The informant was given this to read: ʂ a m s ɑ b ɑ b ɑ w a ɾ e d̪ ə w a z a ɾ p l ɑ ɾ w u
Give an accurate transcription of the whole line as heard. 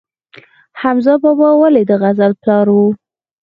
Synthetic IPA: h a m z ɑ b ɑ b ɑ w a l e d̪ ə ɣ a z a l p l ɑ ɾ w u